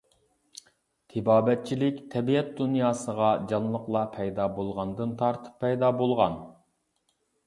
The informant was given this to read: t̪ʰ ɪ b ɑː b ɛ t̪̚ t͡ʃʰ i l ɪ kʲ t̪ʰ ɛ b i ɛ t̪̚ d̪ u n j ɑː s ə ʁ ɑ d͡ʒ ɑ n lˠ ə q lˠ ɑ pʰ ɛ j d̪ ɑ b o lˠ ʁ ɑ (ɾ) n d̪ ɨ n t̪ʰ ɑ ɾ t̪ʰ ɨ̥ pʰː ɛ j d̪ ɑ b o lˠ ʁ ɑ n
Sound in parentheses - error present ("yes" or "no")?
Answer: yes